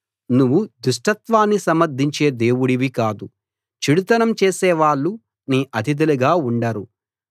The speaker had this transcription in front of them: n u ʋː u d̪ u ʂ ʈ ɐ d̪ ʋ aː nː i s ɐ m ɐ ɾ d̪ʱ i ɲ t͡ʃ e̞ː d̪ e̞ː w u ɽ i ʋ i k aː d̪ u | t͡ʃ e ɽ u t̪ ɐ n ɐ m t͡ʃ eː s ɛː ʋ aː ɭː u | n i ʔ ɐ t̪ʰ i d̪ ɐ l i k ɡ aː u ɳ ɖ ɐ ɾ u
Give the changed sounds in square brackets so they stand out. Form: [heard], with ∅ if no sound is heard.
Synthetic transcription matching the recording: n u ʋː u d̪ u ʂ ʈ ɐ [t̪] ʋ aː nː i s ɐ m ɐ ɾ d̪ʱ i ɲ t͡ʃ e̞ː d̪ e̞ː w u ɽ i ʋ i k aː d̪ u | t͡ʃ [i] ɽ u t̪ ɐ n ɐ m t͡ʃ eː s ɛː ʋ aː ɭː u | n [iː] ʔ ɐ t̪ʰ i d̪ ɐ l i [∅] ɡ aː u ɳ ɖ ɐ ɾ u